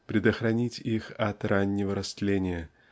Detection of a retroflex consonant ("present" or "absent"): absent